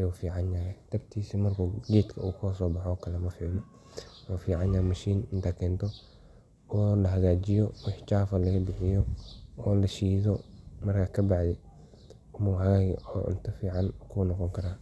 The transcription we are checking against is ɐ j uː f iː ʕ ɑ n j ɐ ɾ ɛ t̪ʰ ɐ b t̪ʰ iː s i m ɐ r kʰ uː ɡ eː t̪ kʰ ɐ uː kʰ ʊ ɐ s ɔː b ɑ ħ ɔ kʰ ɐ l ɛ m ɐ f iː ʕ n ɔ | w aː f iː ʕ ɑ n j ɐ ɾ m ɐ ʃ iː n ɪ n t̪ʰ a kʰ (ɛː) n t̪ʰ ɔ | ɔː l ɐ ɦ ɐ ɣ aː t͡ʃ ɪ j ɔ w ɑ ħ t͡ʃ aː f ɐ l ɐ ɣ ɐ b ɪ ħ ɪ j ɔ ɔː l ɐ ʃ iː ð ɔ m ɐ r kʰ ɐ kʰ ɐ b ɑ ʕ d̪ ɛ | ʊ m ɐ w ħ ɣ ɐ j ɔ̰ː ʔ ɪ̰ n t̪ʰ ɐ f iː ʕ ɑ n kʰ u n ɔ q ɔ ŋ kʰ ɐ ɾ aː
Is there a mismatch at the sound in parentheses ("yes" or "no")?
no